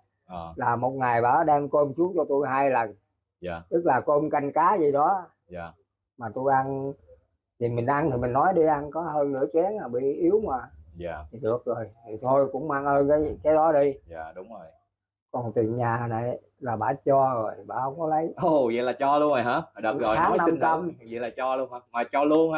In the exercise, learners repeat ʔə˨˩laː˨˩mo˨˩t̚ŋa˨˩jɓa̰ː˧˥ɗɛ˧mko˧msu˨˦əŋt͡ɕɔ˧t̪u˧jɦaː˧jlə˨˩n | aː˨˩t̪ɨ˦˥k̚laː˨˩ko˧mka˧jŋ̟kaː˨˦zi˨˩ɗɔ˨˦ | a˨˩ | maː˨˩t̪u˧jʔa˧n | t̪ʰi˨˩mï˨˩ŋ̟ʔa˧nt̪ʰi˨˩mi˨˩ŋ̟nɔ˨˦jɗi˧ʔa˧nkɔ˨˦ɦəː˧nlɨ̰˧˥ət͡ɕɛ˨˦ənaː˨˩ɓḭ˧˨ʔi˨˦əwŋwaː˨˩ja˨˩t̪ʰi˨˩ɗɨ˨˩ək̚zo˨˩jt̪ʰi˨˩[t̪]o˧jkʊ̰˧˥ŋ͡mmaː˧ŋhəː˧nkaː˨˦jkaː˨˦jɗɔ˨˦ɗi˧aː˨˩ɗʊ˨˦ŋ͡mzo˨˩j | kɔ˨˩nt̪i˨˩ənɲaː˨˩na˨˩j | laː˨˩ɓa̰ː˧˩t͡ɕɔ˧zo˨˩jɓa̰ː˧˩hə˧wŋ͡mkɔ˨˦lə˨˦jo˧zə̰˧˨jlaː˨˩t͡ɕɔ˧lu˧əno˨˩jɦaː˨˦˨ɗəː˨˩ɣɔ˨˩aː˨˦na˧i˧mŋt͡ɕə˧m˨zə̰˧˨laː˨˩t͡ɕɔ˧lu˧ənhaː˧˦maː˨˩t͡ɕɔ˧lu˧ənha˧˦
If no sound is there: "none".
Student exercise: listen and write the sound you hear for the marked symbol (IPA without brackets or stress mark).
t̪ʰ